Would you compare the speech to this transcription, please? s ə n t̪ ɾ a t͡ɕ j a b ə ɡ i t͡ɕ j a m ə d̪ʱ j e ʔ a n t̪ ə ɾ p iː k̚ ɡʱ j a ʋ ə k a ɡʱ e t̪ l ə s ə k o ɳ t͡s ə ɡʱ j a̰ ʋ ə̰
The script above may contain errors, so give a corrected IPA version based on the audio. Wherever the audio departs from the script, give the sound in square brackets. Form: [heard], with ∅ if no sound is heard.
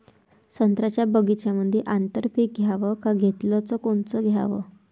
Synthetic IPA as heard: s ə n t̪ ɾ a t͡ɕ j a b ə ɡ i t͡ɕ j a m ə d̪ʱ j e ʔ a n t̪ ə ɾ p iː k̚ ɡʱ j a ʋ ə k a ɡʱ e t̪ l ə [t͡s] ə k o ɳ t͡s ə ɡʱ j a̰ ʋ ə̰